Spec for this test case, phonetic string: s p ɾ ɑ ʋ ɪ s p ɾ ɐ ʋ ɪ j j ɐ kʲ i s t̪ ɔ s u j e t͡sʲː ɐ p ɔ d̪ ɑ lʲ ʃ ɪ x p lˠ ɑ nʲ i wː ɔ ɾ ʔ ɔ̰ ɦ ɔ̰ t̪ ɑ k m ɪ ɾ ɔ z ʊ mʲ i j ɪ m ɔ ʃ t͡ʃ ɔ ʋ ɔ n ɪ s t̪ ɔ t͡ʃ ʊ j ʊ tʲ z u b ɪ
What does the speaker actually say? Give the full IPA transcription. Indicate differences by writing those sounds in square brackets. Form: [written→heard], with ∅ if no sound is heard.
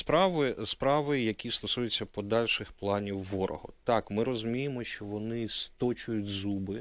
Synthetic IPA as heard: s p ɾ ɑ ʋ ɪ s p ɾ [ɐ→ɑ] ʋ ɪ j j ɐ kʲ i s t̪ ɔ s u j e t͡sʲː ɐ p ɔ d̪ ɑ lʲ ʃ ɪ x p lˠ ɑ nʲ i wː ɔ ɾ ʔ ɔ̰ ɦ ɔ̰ t̪ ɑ k m ɪ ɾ ɔ z ʊ mʲ i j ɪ m ɔ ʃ t͡ʃ ɔ ʋ ɔ n ɪ s t̪ ɔ t͡ʃ ʊ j ʊ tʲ z u b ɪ